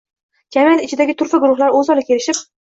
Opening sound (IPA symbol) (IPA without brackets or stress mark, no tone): d͡ʒ